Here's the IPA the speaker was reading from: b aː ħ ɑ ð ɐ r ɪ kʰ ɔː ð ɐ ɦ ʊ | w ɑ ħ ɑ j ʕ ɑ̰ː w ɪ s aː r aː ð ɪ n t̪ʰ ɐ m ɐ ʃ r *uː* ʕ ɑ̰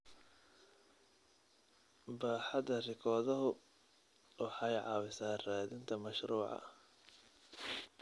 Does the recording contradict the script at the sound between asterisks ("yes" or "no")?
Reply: no